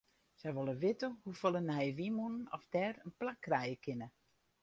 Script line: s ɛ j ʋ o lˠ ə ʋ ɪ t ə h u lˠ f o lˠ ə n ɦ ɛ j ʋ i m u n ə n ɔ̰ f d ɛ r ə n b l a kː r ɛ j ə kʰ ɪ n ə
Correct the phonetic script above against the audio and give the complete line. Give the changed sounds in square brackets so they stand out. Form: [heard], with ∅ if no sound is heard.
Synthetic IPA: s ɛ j ʋ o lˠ ə ʋ ɪ t ə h u [∅] f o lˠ ə n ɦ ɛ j ʋ i m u n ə n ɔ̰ f d ɛ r ə n [p] l a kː r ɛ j ə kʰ ɪ n ə